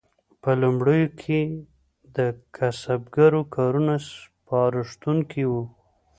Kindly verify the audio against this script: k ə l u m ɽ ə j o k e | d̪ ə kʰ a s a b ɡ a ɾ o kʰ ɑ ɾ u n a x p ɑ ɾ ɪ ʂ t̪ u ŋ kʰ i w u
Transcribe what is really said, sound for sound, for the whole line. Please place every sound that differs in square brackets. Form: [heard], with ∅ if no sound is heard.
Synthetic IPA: [p] ə l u m ɽ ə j o [kʰ] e | d̪ ə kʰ a s a b ɡ a ɾ o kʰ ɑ ɾ u n a [s] p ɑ ɾ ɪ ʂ t̪ u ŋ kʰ i w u